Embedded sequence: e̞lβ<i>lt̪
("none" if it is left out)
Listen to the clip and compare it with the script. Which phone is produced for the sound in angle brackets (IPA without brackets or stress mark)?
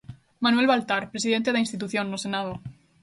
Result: a